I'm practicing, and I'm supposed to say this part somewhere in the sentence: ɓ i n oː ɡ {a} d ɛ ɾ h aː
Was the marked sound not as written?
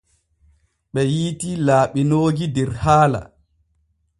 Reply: yes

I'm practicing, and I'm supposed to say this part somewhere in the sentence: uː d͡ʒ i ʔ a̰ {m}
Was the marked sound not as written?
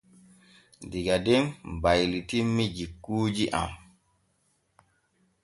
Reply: no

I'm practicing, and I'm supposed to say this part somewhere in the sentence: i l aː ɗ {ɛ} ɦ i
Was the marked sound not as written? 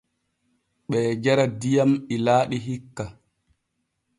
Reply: yes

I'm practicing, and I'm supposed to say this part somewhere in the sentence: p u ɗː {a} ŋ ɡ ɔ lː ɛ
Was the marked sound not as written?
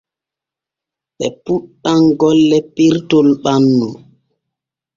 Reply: no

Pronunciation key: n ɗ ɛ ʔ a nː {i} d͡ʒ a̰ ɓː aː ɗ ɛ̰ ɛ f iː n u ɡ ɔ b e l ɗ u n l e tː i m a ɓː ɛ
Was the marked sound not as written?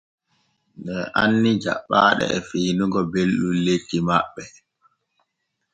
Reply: no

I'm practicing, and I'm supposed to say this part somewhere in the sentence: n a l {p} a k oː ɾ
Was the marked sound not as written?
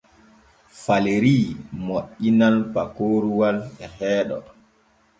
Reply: no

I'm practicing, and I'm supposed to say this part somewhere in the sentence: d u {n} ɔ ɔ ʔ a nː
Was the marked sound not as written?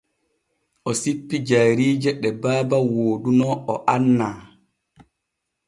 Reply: no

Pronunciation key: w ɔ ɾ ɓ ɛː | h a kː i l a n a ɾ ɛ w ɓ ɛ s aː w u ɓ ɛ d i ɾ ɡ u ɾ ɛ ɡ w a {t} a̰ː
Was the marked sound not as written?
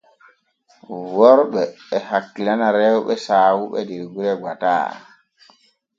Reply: no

